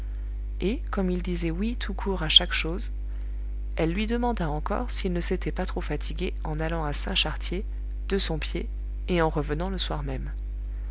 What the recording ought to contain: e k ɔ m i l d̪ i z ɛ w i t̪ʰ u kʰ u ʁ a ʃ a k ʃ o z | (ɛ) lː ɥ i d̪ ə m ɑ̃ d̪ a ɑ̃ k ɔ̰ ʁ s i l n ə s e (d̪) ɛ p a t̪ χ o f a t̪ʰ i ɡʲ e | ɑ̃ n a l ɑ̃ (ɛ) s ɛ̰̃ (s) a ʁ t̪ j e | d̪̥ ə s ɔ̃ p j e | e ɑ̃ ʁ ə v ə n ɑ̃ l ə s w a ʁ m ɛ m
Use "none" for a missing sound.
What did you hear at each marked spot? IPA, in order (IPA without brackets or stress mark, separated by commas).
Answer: ɛ, t̪, a, ʃ